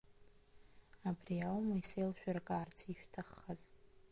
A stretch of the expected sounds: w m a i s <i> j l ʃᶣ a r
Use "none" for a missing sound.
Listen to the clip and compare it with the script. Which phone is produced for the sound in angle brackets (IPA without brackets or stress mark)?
e